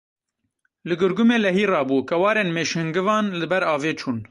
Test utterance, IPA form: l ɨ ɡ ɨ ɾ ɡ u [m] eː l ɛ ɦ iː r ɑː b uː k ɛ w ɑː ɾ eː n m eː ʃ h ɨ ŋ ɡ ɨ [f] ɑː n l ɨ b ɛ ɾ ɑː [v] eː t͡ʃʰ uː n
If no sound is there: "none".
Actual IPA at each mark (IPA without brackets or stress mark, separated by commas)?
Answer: m, v, v